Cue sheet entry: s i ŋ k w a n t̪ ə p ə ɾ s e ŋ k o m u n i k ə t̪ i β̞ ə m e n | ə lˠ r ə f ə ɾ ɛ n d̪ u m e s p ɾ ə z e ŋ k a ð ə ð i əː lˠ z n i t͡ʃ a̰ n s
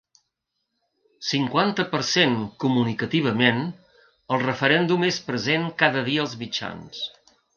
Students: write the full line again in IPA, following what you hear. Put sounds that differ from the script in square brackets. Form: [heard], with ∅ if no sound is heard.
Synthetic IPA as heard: s i ŋ k w a n t̪ ə p ə ɾ s e ŋ k [u] m u n i k ə t̪ i β̞ ə m e n | ə lˠ r ə f ə ɾ ɛ n d̪ u m e s p ɾ ə z e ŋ k a ð ə ð i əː lˠ z [m] i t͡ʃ a̰ n s